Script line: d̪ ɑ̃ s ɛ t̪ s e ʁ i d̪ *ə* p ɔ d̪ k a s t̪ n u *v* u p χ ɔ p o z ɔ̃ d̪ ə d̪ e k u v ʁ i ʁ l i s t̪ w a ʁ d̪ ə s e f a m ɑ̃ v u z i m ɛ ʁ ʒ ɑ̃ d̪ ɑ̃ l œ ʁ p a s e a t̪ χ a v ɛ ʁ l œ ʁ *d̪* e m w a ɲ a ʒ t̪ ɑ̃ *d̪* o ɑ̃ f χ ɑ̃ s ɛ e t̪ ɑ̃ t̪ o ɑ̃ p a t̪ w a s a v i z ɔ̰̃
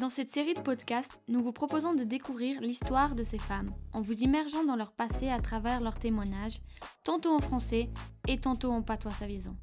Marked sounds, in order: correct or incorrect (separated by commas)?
correct, correct, incorrect, incorrect